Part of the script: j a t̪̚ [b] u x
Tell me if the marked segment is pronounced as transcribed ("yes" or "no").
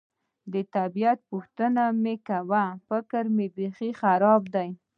no